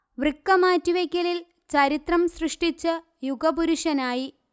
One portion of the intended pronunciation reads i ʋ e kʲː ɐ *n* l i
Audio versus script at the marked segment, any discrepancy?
yes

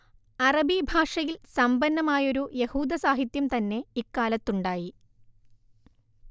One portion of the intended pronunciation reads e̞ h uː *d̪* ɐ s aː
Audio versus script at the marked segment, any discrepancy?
no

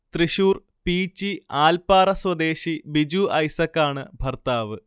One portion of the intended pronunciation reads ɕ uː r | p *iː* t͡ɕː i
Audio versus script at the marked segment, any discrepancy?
no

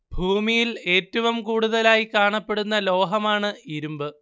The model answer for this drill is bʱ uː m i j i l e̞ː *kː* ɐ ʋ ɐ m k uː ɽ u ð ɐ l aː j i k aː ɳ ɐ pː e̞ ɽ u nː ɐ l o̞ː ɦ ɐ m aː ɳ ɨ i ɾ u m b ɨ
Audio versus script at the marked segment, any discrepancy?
yes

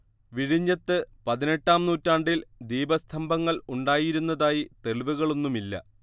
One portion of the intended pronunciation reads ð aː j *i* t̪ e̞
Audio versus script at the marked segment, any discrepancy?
no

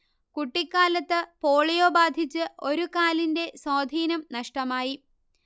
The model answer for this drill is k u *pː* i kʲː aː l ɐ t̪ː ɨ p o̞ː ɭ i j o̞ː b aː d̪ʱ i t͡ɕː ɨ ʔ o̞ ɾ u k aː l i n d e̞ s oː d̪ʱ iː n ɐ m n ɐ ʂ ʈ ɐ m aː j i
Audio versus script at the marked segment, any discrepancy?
yes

